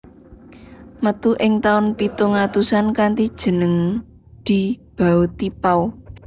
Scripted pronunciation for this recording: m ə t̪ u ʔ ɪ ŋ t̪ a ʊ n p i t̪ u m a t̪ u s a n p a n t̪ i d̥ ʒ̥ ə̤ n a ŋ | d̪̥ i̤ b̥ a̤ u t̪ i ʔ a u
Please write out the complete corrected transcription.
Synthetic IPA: m ə t̪ u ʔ ɪ ŋ t̪ a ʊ n p i t̪ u ŋ a t̪ u s a n k a n t̪ i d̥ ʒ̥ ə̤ n ə ŋ | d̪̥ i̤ b̥ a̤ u t̪ i p a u